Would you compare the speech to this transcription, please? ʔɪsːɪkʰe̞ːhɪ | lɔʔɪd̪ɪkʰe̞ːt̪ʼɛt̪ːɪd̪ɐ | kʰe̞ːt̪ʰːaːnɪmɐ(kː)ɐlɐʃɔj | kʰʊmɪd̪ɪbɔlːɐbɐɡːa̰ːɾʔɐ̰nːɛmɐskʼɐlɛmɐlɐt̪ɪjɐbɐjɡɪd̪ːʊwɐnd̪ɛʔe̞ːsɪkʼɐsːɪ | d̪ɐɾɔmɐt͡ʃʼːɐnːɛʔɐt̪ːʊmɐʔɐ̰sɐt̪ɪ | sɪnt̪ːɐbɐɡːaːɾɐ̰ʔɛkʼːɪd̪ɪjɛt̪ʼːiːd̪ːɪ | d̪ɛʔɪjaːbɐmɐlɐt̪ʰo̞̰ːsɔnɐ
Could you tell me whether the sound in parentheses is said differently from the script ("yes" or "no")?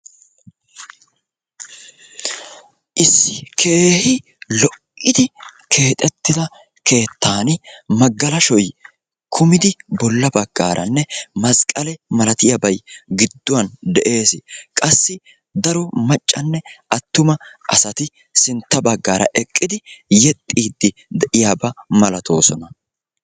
yes